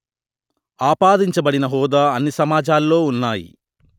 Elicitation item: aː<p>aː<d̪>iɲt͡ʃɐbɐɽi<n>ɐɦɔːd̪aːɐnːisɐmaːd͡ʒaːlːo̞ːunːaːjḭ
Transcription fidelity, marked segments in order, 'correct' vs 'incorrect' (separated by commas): correct, correct, correct